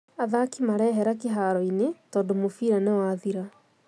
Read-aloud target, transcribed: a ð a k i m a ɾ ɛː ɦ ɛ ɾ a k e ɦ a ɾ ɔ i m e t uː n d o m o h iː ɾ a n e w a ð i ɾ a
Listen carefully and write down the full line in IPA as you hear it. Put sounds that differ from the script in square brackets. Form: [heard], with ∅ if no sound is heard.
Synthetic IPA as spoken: a ð a k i m a ɾ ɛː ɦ ɛ ɾ a k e ɦ a ɾ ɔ i [n] e t [ɔː] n d o m o [f] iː ɾ a n e w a ð i ɾ a